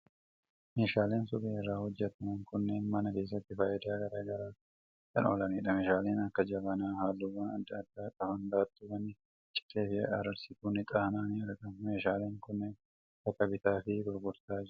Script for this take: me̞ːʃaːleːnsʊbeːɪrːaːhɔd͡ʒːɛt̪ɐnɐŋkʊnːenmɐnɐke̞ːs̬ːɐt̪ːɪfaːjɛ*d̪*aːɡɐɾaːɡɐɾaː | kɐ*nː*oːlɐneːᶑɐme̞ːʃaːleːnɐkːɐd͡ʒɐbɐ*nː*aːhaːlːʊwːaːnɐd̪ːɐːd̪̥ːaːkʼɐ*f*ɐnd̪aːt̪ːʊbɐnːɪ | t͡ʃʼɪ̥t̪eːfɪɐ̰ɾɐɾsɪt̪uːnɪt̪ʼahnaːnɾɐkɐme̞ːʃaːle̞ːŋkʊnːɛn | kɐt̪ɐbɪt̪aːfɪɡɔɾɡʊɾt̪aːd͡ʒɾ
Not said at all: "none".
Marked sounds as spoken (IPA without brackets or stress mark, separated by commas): d̪, n, n, f